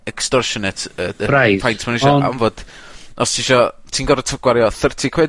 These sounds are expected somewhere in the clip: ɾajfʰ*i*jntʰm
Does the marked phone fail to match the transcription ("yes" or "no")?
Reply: yes